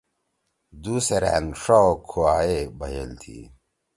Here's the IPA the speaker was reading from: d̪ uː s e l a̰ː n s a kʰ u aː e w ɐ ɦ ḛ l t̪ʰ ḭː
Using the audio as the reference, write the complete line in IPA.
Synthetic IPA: d̪ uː s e ɾ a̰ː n ʂ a kʰ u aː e b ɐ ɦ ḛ l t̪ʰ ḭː